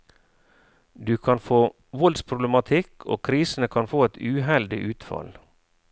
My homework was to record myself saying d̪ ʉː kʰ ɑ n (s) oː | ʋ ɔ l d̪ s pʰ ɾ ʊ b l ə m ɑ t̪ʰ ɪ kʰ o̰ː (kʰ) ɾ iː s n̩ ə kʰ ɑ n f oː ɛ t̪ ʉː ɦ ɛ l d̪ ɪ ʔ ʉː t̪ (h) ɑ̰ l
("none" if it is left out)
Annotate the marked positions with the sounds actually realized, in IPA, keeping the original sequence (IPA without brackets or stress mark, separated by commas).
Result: f, kʰ, f